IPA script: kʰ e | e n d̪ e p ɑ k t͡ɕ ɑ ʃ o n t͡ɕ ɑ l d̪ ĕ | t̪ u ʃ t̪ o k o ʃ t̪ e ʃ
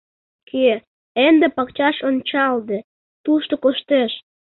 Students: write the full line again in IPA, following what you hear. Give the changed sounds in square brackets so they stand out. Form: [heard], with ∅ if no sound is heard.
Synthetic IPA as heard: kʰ e | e n d̪ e p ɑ k t͡ɕ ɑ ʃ o n t͡ɕ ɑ l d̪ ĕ | t̪ u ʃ t̪ o k o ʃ t̪ e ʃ